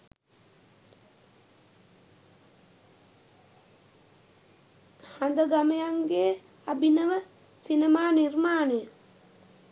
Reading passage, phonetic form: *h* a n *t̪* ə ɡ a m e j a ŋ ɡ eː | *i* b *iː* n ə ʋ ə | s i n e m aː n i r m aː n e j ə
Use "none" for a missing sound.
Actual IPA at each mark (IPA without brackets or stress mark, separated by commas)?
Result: h, d̪, a, i